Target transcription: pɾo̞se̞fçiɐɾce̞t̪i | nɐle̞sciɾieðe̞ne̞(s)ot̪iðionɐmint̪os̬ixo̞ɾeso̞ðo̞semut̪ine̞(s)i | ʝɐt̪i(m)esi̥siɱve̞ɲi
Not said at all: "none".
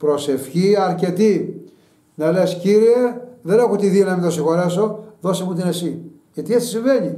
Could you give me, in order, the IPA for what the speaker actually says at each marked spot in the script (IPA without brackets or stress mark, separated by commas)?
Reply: x, s, none